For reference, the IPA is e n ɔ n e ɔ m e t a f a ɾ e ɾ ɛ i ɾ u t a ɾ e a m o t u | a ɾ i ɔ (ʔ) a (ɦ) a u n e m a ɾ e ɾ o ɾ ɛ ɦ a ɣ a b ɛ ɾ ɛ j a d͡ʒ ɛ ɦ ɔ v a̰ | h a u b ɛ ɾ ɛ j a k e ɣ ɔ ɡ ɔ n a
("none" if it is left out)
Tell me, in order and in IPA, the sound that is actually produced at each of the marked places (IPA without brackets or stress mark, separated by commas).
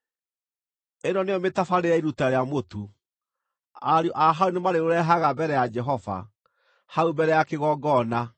ʔ, ɦ